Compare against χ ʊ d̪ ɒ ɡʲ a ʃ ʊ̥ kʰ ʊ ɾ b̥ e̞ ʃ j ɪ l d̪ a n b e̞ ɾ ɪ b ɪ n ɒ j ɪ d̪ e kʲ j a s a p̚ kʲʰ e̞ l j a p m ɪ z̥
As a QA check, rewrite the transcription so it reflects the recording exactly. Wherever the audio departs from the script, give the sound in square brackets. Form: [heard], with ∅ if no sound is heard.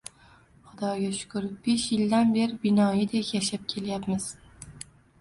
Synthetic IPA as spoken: χ ʊ d̪ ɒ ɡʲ a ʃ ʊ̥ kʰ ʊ ɾ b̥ e̞ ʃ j ɪ l d̪ a n b e̞ ɾ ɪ b ɪ n ɒ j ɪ d̪ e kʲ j a [ʃ] a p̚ kʲʰ e̞ l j a p m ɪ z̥